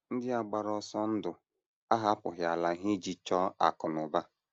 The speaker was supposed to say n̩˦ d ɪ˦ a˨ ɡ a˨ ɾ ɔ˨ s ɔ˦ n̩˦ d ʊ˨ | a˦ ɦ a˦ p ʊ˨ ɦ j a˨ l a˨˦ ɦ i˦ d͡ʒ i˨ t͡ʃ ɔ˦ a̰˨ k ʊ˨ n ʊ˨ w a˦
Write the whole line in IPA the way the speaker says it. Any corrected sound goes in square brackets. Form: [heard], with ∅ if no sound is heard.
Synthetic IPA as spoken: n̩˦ d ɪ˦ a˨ [ɡ͡b] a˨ ɾ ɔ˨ s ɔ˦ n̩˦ d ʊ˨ | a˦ ɦ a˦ p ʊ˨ ɦ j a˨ l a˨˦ ɦ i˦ d͡ʒ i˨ t͡ʃ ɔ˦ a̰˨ k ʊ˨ n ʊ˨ [b] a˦